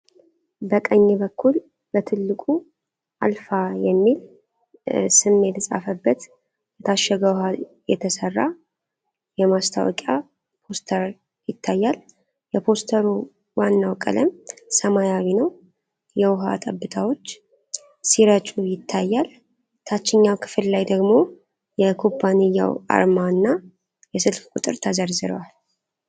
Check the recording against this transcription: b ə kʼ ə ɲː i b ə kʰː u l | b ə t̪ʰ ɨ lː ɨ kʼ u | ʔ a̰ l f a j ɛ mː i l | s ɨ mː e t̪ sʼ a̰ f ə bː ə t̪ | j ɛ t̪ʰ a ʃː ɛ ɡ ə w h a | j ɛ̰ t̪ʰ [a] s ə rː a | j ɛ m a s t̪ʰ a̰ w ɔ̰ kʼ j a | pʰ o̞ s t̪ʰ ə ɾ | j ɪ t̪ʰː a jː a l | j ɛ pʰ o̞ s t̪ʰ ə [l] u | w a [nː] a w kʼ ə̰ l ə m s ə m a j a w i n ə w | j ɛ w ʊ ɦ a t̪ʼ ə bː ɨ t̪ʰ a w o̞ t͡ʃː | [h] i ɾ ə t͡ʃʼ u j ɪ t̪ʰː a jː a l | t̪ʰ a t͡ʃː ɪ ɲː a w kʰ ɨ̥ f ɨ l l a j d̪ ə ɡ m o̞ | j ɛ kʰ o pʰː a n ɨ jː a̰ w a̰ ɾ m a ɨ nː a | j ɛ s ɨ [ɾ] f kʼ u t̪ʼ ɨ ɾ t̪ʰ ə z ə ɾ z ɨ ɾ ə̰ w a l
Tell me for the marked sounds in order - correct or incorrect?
incorrect: ə, incorrect: ɾ, correct, incorrect: s, incorrect: l

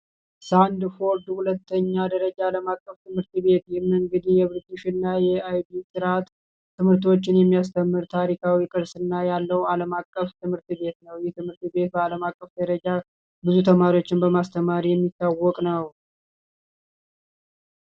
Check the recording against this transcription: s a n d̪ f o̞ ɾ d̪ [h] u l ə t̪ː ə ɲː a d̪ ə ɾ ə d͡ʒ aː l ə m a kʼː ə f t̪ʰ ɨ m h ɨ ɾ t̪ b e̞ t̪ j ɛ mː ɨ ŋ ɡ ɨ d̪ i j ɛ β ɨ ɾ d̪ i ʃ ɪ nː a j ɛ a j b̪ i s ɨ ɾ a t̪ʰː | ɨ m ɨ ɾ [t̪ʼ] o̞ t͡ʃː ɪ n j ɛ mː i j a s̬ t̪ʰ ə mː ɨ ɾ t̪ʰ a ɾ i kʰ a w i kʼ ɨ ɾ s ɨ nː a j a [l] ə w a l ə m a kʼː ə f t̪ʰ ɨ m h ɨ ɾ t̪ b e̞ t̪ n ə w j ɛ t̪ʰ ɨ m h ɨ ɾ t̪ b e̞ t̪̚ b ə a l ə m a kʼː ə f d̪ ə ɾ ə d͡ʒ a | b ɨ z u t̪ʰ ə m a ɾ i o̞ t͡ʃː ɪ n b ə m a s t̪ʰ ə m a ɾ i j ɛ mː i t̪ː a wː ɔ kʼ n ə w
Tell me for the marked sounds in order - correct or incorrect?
correct, incorrect: t̪, incorrect: lː

